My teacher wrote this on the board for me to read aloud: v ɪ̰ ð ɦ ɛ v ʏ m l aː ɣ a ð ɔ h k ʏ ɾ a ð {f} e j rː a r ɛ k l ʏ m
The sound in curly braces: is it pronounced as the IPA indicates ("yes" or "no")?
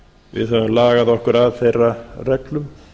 no